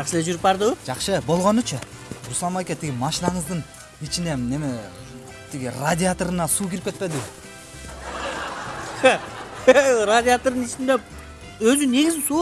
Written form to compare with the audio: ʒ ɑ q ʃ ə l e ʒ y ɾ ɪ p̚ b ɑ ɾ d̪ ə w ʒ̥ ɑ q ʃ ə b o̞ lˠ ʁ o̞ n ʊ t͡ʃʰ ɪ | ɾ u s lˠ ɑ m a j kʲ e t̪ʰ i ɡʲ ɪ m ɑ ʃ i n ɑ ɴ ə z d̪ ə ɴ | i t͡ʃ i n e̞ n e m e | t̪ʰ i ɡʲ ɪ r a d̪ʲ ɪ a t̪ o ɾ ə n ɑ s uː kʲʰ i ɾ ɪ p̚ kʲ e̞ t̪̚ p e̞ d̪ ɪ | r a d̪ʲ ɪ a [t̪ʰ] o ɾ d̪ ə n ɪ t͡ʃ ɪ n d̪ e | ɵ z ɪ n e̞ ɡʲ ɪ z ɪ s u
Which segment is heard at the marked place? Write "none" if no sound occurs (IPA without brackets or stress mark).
t̪